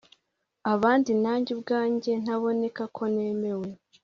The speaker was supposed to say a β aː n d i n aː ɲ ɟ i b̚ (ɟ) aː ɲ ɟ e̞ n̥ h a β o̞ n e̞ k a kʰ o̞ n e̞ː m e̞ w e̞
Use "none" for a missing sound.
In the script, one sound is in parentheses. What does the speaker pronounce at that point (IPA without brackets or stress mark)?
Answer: ɡ